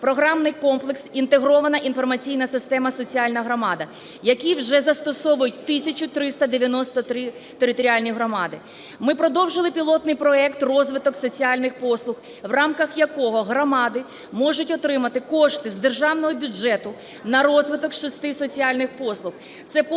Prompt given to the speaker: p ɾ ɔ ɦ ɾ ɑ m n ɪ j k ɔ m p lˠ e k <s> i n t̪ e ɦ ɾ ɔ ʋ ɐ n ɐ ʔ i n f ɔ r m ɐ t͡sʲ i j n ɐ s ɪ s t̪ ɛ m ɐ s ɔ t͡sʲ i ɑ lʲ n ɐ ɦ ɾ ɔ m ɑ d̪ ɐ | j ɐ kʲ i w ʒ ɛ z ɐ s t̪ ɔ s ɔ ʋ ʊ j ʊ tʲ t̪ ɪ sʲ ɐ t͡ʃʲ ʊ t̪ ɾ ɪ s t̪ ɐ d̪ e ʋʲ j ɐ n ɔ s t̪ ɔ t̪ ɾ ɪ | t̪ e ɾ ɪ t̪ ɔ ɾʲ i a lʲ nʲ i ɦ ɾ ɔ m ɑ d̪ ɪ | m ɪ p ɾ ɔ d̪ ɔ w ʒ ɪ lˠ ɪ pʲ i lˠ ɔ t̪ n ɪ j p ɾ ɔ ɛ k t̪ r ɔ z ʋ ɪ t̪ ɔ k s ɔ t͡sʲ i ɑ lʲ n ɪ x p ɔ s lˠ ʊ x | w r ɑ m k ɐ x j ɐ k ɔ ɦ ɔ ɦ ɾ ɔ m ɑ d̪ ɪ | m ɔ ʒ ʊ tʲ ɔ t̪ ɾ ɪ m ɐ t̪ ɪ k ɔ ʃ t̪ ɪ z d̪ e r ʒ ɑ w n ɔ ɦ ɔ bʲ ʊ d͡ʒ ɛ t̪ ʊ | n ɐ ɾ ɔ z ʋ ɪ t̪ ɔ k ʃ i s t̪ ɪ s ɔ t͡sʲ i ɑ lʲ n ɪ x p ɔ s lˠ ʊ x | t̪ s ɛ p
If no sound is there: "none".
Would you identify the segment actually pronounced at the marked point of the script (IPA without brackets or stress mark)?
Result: s